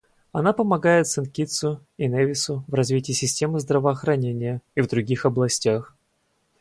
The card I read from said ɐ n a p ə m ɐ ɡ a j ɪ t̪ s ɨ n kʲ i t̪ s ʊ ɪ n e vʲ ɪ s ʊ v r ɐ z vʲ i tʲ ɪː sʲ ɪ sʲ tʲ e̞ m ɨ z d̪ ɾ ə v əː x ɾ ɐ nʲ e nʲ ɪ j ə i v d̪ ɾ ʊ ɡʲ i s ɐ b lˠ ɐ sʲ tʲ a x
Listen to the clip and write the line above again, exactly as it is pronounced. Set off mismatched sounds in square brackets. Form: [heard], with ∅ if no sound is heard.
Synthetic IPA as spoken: ɐ n a p ə m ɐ ɡ a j ɪ t̪ s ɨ n kʲ i t̪ s ʊ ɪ n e vʲ ɪ s ʊ v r ɐ z vʲ i tʲ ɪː sʲ ɪ sʲ tʲ e̞ m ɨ z d̪ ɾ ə v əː x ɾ ɐ nʲ e nʲ ɪ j ə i v d̪ ɾ ʊ ɡʲ i [x] ɐ b lˠ ɐ sʲ tʲ a x